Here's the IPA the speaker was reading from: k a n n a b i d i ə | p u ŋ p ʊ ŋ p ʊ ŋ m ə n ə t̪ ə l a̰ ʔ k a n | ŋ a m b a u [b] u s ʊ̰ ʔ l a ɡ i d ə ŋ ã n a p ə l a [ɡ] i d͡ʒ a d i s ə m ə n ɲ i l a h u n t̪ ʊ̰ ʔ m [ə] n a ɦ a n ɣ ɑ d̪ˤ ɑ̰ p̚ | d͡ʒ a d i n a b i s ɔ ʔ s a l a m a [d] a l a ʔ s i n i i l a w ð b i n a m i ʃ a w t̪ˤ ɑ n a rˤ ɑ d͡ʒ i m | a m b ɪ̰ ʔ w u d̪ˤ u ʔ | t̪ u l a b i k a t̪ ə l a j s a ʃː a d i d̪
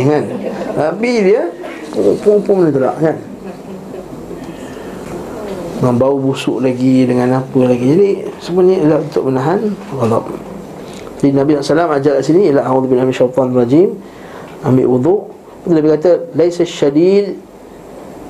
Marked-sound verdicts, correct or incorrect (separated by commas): correct, correct, correct, incorrect